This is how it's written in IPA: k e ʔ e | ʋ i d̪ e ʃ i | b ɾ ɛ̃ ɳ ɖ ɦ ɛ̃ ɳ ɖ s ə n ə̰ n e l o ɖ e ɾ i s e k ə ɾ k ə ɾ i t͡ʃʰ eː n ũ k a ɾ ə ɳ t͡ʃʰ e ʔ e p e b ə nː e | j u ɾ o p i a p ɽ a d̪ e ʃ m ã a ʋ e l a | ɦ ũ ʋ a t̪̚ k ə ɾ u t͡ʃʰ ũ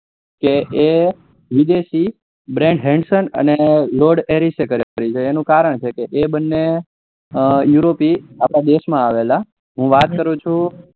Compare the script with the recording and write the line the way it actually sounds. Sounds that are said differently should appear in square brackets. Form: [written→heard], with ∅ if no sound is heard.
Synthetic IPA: k e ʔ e | ʋ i d̪ e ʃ i | b ɾ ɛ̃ ɳ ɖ ɦ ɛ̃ ɳ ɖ s ə n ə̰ n e l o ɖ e ɾ i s e k ə ɾ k ə ɾ i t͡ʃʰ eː n ũ k a ɾ ə ɳ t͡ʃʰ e [ʔ→k] e [p→ʔ] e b ə nː e | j u ɾ o p i a p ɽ a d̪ e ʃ m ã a ʋ e l a | ɦ ũ ʋ a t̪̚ k ə ɾ [u→ũ] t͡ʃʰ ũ